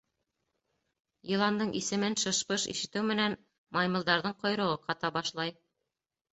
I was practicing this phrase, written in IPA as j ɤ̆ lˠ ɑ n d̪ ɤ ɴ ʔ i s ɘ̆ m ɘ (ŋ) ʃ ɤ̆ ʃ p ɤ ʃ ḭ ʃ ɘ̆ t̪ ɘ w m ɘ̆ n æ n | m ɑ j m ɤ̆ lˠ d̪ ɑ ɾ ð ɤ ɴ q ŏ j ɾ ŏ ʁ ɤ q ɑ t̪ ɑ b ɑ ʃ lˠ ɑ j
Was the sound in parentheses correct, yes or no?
no